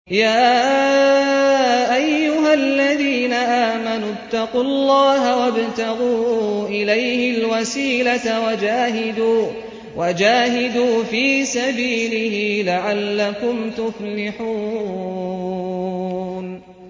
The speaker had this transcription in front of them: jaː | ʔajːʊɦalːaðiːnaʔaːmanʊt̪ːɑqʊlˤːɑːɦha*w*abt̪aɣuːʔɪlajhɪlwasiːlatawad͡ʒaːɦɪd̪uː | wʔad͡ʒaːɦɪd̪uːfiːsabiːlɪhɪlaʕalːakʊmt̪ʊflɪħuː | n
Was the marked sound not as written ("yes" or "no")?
no